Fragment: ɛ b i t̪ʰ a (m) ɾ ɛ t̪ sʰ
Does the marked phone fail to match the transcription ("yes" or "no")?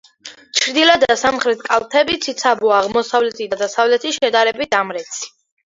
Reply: no